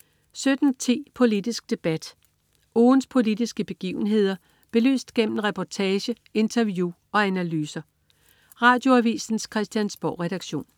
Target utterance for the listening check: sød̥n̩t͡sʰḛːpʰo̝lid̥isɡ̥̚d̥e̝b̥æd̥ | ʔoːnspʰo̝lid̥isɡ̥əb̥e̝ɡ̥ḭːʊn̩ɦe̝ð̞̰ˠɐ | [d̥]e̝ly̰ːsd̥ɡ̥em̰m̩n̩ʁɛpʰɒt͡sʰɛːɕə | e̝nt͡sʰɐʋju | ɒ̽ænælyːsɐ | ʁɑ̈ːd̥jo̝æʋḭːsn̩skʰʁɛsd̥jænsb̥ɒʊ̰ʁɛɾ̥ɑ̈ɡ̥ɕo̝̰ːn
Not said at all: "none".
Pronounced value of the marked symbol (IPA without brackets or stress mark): b̥